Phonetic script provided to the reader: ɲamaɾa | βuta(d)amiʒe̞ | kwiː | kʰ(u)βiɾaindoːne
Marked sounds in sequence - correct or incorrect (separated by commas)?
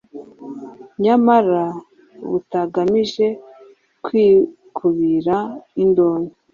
incorrect, correct